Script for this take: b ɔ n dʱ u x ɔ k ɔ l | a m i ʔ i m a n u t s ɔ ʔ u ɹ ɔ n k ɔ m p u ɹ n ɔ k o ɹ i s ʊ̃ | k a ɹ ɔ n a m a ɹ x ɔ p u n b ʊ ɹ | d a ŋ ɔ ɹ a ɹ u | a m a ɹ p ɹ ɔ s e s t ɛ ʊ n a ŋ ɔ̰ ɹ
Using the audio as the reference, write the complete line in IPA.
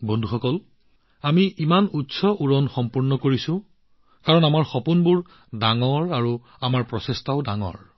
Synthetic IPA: b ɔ n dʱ u x ɔ k ɔ l | a m i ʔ i m a n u t s ɔ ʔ u ɹ ɔ n x ɔ m p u ɹ n ɔ k o ɹ i s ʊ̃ | k a ɹ ɔ n a m a ɹ x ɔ p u n b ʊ ɹ | d a ŋ ɔ ɹ a ɹ u | a m a ɹ p ɹ ɔ s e s t a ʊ d a ŋ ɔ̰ ɹ

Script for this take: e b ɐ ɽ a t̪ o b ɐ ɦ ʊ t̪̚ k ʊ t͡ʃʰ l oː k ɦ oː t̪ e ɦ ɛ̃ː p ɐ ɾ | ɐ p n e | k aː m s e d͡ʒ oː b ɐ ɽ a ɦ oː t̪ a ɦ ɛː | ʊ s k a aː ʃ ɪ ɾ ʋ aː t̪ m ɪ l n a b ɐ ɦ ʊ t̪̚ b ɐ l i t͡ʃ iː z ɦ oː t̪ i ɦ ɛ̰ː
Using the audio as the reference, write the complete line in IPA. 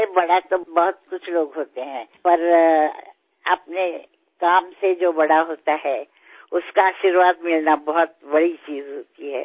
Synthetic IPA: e b ɐ ɽ a t̪ o b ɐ ɦ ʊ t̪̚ k ʊ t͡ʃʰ l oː ɡ ɦ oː t̪ e ɦ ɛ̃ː p ɐ ɾ | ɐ p n e | k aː m s e d͡ʒ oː b ɐ ɽ a ɦ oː t̪ a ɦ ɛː | ʊ s k a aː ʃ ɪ ɾ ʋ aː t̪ m ɪ l n a b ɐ ɦ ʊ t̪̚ b ɐ ɽ i t͡ʃ iː z ɦ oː t̪ i ɦ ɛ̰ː

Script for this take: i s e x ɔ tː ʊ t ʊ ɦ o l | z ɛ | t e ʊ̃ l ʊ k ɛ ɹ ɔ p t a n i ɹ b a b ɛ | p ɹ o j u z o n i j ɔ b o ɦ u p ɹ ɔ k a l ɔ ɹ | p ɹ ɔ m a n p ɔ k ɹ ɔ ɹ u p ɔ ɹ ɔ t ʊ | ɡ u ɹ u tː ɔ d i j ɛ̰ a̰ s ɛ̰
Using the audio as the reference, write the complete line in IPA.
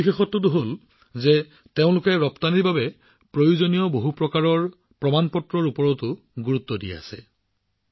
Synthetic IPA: i x e x ɔ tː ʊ t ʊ ɦ o l | z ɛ | t e ʊ̃ l ʊ k ɛ ɹ ɔ p t a n i ɹ b a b ɛ | p ɹ o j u z o n i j ɔ b o ɦ u p ɹ ɔ k a ɹ ɔ ɹ | p ɹ ɔ m a n p ɔ t ɹ ɔ ɹ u p ɔ ɹ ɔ t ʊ | ɡ u ɹ u tː ɔ d i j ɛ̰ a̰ s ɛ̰

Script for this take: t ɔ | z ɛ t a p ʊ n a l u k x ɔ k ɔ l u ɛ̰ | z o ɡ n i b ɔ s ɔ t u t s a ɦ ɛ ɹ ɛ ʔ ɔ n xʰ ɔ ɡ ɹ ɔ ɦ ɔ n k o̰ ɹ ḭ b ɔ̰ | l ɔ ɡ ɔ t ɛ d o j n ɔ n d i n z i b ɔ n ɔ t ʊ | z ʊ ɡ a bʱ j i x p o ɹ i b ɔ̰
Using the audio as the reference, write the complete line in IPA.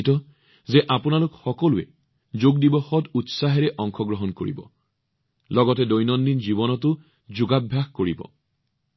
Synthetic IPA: t ɔ | z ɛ ʔ a p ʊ n a l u k x ɔ k ɔ l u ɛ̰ | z o ɡ d i b ɔ x ɔ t u t s a ɦ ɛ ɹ ɛ ʔ ɔ ŋ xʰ ɔ ɡ ɹ ɔ ɦ ɔ n k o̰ ɹ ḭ b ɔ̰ | l ɔ ɡ ɔ t ɛ d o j n ɔ n d i n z i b ɔ n ɔ t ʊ | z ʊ ɡ a bʱ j a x k o ɹ i b ɔ̰

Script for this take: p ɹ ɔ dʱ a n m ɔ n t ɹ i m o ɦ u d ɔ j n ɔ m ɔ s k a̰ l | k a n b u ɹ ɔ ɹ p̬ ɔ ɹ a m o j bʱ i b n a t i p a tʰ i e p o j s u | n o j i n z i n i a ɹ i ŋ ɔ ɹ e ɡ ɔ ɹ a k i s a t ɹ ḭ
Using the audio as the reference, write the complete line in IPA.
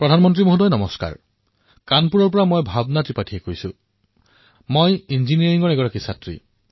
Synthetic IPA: p ɹ ɔ dʱ a n m ɔ n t ɹ i m o ɦ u d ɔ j n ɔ m ɔ s k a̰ ɹ | k a n p u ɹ ɔ ɹ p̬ ɔ ɹ a m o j bʱ a b n a t i p a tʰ i e k o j s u | m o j i n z i n i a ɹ i ŋ ɔ ɹ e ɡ ɔ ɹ a k i s a t ɹ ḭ

